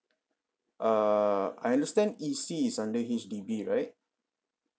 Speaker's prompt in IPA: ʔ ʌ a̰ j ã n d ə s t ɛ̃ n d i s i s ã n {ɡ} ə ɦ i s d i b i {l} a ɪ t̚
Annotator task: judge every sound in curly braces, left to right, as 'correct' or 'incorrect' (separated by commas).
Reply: incorrect, incorrect